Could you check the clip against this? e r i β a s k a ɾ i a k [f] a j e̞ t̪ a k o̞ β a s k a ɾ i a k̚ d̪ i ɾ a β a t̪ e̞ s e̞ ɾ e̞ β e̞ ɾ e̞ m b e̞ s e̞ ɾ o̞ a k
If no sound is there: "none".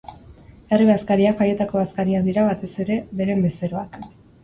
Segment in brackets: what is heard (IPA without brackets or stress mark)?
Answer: f